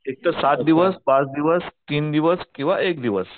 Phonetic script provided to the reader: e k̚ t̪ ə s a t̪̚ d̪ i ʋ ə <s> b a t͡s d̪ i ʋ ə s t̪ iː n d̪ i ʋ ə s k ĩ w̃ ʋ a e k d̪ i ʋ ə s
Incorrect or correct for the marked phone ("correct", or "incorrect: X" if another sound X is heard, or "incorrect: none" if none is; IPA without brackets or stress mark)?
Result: correct